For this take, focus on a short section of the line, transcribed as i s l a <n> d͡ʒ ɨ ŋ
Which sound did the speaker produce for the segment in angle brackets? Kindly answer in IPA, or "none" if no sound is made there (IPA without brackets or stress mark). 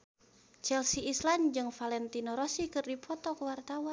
n